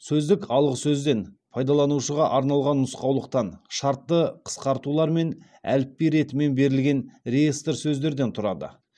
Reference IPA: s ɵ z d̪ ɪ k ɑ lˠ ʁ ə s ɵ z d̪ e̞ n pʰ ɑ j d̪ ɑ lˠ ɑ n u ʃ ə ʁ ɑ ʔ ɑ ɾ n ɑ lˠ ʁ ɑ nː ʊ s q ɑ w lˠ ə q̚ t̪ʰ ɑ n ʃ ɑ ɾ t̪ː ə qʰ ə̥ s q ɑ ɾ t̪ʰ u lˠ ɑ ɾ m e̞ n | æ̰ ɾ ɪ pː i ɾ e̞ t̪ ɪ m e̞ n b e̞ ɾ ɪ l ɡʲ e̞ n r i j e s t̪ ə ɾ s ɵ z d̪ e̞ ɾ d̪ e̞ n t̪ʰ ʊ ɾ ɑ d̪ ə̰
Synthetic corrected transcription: s ɵ z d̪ ɪ k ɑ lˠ ʁ ə s ɵ z d̪ e̞ n pʰ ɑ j d̪ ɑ lˠ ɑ n u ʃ ə ʁ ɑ ʔ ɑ ɾ n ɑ lˠ ʁ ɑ nː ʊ s q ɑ w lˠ ə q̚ t̪ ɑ n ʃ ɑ ɾ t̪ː ə qʰ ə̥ s q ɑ ɾ t̪ u lˠ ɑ ɾ m e̞ n | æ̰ l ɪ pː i ɾ e̞ t̪ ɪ m e̞ n b e̞ ɾ ɪ l ɡʲ e̞ n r e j e s t̪ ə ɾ s ɵ z d̪ e̞ ɾ d̪ e̞ n t̪ʰ ʊ ɾ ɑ d̪ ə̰